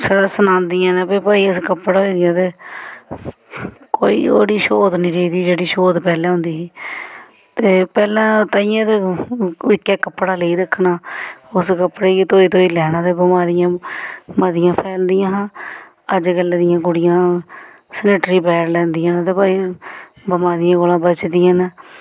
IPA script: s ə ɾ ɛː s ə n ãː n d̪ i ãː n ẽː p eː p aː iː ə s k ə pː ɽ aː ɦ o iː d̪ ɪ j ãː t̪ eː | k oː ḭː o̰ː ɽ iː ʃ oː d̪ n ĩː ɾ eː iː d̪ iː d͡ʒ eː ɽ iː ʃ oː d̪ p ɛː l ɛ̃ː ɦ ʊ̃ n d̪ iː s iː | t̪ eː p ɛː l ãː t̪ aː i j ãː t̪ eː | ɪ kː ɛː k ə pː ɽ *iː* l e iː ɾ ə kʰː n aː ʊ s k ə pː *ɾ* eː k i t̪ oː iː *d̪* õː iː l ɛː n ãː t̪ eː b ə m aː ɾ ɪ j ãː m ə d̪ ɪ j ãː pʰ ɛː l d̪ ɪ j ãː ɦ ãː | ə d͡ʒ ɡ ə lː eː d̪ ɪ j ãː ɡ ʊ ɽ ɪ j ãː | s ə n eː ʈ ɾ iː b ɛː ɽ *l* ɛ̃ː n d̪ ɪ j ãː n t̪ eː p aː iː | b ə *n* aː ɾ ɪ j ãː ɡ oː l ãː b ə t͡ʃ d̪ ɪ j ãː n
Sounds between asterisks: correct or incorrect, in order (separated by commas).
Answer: incorrect, incorrect, incorrect, correct, incorrect